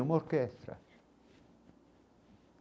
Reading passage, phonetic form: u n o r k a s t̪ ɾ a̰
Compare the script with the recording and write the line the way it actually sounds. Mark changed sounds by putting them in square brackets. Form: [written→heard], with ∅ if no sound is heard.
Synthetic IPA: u [n→m] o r k [a→e] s t̪ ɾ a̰